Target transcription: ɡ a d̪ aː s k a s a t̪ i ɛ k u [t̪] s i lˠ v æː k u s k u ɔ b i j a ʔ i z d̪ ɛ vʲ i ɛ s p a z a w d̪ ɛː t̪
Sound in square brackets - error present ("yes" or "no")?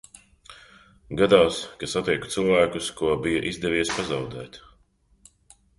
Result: no